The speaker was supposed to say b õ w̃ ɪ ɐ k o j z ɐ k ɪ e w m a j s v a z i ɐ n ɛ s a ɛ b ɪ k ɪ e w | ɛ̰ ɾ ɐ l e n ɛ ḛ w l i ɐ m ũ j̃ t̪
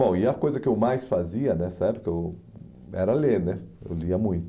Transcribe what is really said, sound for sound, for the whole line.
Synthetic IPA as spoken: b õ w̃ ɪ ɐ k o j z ɐ k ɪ e w m a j s f a z i ɐ n ɛ s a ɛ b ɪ k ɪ e w | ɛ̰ ɾ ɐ l e n ɛ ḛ w l i ɐ m ũ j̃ t̪

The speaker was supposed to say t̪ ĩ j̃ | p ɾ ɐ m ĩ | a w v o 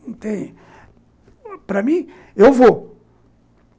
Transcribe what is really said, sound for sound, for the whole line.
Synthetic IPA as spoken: t̪ ẽ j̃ | p ɾ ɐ m ĩ | e w v o

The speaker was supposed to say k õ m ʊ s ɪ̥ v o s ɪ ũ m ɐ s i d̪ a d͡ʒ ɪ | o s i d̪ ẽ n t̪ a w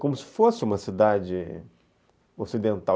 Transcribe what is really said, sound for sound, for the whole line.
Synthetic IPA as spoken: k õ m ʊ s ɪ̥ f o s ɪ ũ m ɐ s i d̪ a d͡ʒ ɪ | o s i d̪ ẽ n t̪ a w

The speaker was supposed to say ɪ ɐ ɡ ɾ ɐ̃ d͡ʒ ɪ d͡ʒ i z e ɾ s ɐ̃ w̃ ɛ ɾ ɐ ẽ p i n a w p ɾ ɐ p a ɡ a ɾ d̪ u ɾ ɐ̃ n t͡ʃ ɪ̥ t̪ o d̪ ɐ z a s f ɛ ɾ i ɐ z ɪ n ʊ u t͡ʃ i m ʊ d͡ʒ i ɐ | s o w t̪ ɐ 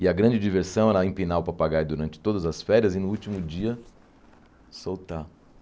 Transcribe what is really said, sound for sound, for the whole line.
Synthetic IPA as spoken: ɪ ɐ ɡ ɾ ɐ̃ d͡ʒ ɪ d͡ʒ i v e ɾ s ɐ̃ w̃ ɛ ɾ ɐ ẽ p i n a w p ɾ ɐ p a ɡ a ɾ d̪ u ɾ ɐ̃ n t͡ʃ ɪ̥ t̪ o d̪ ɐ z ɐ s f ɛ ɾ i ɐ z ɪ n ʊ u t͡ʃ i m ʊ d͡ʒ i ɐ | s o w t̪ a

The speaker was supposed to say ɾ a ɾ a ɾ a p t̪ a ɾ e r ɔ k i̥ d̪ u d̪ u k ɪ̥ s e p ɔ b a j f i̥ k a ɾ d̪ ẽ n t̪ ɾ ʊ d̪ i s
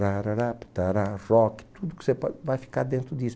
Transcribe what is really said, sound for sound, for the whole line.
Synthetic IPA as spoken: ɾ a ɾ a ɾ a p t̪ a ɾ a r ɔ k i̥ t̪ u d̪ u k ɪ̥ s e p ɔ v a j f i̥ k a ɾ d̪ ẽ n t̪ ɾ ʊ d̪ i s

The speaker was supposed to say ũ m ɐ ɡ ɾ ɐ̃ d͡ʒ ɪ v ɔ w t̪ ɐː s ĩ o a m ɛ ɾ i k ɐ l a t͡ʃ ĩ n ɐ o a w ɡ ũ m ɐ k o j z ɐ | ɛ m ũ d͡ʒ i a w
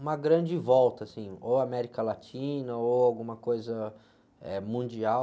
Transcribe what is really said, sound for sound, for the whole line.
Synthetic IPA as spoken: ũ m ɐ ɡ ɾ ɐ̃ d͡ʒ ɪ v ɔ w t̪ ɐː s ĩ o a m ɛ ɾ i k ɐ l a t͡ʃ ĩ n ɐ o a w ɡ ũ m ɐ k o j z ɐ | ɛ m ũ d͡ʒ i a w

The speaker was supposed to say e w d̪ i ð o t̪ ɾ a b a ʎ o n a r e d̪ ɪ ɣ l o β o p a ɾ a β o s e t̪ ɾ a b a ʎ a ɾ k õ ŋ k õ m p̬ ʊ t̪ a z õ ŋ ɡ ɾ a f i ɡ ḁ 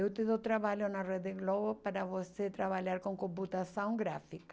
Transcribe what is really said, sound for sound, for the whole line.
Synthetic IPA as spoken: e w t̪ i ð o t̪ ɾ a β a ʎ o n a r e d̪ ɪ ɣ l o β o p a ɾ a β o s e t̪ ɾ a β a ʎ a ɾ k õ ŋ k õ m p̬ u t̪ a s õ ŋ ɡ ɾ a f i k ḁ

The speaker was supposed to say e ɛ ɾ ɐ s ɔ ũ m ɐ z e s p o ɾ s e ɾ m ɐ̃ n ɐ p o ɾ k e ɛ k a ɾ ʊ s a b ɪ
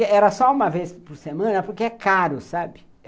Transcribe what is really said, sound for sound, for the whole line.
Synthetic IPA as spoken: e ɛ ɾ ɐ s ɔ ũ m ɐ v e s p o ɾ s e m ɐ̃ n ɐ p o ɾ k e ɛ k a ɾ ʊ s a b ɪ

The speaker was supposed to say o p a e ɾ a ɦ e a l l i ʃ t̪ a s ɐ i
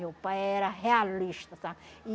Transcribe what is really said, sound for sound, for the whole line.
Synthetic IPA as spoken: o p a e ɾ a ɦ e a l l i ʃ t̪ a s a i

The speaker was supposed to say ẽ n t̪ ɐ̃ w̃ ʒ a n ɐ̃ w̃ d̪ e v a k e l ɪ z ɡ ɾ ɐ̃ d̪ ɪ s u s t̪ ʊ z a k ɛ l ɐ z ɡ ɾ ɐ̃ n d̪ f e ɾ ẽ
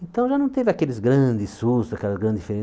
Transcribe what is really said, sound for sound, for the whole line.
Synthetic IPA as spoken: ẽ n t̪ ɐ̃ w̃ ʒ a n ɐ̃ w̃ t̪ e v a k e l ɪ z ɡ ɾ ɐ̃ d̪ ɪ s u s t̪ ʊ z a k ɛ l ɐ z ɡ ɾ ɐ̃ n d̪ f e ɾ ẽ

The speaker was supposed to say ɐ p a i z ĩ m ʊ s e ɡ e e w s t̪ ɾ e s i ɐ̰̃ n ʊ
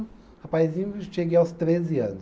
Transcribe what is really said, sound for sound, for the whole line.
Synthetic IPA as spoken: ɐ p a j z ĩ ɲ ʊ ʃ e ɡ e a w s t̪ ɾ e z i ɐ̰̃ n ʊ

